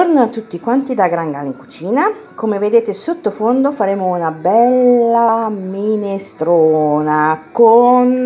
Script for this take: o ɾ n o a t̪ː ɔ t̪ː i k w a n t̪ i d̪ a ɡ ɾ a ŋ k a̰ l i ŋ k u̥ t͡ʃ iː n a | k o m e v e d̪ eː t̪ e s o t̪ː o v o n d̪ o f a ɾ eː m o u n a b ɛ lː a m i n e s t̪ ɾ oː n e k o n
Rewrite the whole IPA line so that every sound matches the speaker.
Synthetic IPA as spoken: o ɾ n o a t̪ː u t̪ː i k w a n t̪ i d̪ a ɡ ɾ a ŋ ɡ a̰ l i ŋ k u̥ t͡ʃ iː n a | k o m e v e d̪ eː t̪ e s o t̪ː o f o n d̪ o f a ɾ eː m o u n a b ɛ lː a m i n e s t̪ ɾ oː n a k o n